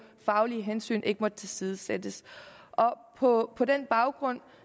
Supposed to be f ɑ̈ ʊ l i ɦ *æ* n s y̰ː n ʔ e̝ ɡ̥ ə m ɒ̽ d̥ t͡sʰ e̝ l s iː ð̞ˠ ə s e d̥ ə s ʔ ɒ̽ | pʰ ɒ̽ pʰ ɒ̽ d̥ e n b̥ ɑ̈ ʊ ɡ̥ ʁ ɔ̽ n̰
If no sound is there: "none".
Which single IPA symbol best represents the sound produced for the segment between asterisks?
e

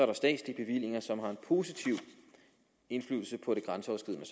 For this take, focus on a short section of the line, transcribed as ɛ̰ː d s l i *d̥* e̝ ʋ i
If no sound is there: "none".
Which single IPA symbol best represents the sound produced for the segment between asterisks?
b̥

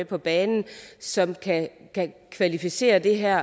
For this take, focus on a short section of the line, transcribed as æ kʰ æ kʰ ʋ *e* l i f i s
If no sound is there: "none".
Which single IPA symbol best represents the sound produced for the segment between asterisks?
æ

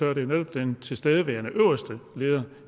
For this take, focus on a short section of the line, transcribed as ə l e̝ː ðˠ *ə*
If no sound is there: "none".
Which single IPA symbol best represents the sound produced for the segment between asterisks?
ɐ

